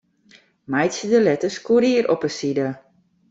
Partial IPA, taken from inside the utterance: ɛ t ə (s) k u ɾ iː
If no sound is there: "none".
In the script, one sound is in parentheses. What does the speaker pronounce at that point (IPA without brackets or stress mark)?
s